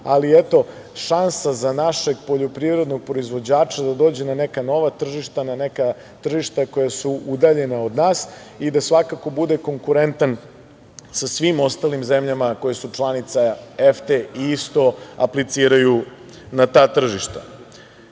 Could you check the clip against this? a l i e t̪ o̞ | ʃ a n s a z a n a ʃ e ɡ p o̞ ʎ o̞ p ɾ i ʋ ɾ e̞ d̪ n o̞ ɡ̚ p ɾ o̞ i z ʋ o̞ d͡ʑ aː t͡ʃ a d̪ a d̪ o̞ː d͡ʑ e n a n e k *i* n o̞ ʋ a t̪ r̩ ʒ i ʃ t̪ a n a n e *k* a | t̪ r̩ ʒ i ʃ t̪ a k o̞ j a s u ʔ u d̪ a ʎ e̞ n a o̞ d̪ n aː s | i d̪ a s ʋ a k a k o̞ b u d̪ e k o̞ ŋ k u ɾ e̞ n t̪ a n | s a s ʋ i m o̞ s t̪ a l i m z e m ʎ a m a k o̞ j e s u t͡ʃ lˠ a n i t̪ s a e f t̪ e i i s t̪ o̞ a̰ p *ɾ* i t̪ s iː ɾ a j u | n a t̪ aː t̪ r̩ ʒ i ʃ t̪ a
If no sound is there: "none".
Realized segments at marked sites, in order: a, k, l

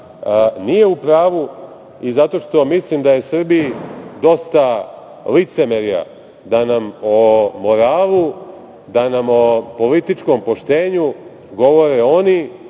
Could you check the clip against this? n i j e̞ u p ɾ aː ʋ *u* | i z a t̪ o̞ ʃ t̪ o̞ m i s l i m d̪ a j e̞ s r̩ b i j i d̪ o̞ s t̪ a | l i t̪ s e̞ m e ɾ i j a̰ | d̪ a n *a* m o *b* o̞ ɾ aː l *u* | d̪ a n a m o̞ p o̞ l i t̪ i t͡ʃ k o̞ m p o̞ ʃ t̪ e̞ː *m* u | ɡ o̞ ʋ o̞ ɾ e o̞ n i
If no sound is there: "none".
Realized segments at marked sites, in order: u, a, m, u, ɲ

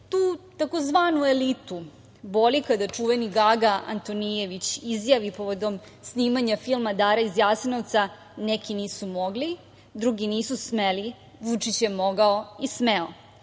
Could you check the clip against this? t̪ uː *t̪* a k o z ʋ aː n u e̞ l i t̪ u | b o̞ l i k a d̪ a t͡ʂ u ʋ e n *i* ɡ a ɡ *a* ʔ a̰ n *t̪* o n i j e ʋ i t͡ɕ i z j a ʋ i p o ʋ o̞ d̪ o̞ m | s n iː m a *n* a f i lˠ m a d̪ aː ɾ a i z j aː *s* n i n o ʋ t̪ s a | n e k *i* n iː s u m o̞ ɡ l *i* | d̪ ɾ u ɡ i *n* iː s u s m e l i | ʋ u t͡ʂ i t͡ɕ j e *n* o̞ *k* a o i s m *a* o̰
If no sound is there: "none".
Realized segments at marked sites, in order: t̪, i, a, t̪, ɲ, s, i, i, n, m, ɡ, e

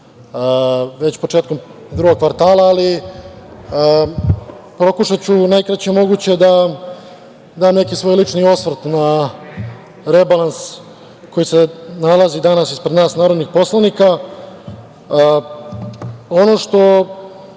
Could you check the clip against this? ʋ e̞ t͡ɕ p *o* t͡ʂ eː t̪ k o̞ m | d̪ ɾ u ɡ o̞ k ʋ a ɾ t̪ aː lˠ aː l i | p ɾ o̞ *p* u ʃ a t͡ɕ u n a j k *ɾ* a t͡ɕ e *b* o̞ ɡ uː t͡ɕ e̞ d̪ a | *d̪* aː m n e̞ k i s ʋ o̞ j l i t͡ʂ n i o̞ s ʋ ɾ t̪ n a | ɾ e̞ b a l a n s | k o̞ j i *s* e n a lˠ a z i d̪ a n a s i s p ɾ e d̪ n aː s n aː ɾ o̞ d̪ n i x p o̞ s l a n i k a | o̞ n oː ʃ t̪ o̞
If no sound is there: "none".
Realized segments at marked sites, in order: o, k, ɾ, m, d̪, s

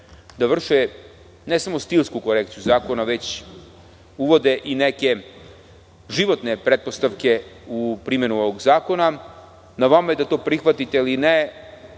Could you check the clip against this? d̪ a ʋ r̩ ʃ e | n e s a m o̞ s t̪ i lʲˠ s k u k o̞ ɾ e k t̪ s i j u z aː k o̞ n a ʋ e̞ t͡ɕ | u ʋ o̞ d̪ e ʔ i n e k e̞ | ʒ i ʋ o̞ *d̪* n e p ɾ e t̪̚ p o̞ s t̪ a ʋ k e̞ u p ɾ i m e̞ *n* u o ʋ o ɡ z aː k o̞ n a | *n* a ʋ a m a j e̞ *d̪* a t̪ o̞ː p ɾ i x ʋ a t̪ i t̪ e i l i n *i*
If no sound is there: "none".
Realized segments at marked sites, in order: t̪, n, n, d̪, e

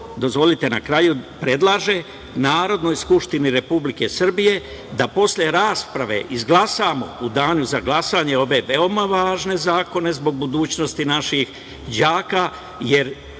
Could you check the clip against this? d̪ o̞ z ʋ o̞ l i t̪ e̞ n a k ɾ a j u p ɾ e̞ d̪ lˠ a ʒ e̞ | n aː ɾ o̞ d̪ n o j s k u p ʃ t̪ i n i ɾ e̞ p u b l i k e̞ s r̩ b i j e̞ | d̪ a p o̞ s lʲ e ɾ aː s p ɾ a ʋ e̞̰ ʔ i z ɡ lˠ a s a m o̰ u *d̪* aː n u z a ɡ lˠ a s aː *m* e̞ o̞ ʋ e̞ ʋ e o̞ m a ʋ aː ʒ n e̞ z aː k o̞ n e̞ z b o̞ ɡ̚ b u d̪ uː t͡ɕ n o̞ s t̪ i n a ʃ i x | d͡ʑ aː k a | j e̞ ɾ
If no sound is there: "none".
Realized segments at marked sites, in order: d̪, ɲ

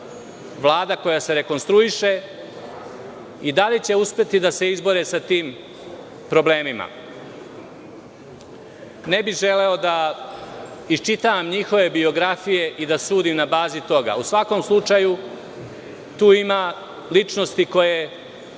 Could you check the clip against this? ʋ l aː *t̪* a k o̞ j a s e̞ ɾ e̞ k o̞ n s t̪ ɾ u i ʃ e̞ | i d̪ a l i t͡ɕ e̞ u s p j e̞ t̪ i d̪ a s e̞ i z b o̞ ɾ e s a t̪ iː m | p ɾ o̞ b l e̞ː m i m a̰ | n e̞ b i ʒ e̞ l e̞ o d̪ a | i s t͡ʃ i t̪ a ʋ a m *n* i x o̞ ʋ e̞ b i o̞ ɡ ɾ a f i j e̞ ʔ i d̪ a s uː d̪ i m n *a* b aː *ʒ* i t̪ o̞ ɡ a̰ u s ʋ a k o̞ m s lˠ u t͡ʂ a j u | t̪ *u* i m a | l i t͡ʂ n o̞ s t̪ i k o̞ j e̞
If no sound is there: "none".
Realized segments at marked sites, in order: d̪, ɲ, a, z, uː

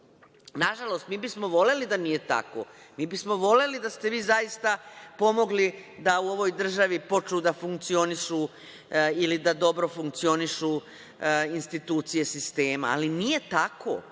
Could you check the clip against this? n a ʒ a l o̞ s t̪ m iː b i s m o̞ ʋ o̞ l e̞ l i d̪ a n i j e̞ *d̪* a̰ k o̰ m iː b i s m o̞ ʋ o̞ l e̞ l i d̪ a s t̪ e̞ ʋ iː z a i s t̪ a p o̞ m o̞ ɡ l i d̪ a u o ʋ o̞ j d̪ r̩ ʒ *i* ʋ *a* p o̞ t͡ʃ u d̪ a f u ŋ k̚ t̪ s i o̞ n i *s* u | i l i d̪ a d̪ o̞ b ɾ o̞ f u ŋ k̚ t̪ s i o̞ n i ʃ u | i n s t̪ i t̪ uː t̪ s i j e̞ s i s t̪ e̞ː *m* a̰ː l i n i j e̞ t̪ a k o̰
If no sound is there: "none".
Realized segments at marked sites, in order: t̪, a, i, ʃ, m

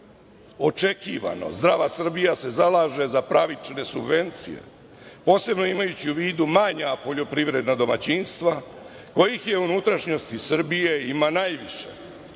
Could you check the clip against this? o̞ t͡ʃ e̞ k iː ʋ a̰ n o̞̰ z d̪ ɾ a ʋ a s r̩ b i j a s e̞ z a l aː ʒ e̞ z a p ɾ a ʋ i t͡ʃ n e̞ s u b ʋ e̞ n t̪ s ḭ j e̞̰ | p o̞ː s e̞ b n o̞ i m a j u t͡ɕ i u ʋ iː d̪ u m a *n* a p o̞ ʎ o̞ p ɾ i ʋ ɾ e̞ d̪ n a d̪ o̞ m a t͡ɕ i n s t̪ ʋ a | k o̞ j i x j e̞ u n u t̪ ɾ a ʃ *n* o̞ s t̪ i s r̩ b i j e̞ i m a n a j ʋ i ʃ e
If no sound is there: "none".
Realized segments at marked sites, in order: ɲ, ɲ

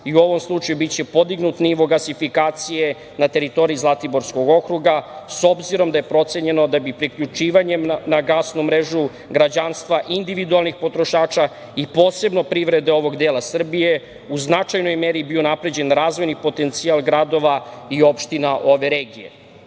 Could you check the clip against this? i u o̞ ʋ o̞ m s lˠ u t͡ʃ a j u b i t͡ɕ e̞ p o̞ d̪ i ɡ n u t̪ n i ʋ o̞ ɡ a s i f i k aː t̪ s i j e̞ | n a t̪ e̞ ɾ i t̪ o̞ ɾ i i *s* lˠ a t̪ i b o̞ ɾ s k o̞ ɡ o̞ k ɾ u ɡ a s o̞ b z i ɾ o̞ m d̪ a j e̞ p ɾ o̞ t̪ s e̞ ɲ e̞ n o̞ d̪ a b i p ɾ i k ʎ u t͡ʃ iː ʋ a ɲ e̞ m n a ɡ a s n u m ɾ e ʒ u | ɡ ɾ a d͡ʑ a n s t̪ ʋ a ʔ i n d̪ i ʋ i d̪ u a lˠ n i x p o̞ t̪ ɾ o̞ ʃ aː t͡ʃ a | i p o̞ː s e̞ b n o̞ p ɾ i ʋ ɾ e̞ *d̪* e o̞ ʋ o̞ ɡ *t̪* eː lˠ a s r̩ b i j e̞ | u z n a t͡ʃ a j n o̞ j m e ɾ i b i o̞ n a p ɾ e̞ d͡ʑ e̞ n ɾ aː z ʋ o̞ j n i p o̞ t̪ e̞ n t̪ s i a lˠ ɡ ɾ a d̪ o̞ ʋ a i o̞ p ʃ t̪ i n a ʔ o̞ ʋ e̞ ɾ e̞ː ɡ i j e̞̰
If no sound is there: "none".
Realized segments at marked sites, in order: z, d̪, d̪

